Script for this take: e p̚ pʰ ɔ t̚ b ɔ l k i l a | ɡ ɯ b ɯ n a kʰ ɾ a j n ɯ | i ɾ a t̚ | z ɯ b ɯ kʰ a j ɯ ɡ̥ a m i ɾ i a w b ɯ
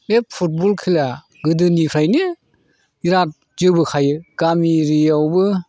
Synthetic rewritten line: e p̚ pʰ u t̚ b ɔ l kʰ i l a | ɡ ɯ d ɯ n i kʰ ɾ a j n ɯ | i ɾ a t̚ | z ɯ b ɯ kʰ a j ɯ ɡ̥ a m i ɾ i a w b ɯ